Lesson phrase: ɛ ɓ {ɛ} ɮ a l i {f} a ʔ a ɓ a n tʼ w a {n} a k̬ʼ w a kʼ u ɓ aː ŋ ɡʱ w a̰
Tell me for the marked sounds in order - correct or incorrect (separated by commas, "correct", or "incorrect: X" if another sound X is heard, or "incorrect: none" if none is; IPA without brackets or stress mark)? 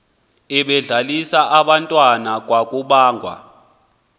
correct, incorrect: s, correct